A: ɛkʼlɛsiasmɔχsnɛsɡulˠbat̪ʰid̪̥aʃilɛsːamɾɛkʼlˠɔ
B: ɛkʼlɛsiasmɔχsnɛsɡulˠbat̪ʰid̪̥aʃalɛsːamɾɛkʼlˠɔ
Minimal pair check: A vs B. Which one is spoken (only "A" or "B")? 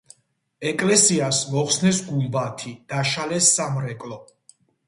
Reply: B